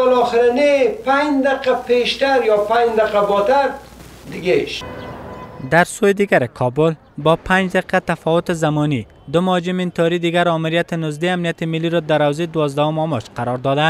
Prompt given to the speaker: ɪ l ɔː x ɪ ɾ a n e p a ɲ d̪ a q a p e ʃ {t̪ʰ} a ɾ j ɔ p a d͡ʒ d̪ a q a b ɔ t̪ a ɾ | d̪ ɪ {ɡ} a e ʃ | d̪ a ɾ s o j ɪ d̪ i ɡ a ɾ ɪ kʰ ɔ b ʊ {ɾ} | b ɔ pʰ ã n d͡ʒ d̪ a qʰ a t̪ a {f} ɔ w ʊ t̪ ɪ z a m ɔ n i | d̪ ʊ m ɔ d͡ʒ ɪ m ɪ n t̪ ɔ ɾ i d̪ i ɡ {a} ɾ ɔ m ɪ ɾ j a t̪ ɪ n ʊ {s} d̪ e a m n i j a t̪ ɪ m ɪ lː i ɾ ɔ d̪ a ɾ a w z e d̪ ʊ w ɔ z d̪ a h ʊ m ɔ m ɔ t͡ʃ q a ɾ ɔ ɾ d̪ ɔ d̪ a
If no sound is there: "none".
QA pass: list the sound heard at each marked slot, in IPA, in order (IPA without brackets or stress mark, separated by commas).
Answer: t̪, ɡ, l, f, a, z